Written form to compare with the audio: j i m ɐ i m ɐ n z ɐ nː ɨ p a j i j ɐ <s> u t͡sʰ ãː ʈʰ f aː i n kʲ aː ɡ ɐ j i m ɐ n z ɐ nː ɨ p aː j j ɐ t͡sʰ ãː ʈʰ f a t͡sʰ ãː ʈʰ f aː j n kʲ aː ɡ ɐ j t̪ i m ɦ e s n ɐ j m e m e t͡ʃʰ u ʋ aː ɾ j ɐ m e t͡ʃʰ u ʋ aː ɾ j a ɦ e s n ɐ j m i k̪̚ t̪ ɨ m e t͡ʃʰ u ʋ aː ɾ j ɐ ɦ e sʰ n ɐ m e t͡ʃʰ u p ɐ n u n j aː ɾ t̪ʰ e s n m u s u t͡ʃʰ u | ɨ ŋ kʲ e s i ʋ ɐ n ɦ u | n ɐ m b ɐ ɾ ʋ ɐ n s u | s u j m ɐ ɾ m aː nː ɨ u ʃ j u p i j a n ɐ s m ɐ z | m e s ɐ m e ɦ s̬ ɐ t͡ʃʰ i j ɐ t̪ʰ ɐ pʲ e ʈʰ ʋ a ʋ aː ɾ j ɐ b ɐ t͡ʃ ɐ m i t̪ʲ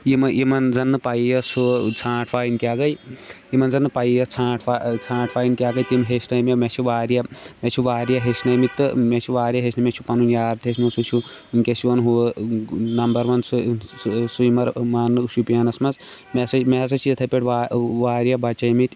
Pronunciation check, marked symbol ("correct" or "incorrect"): correct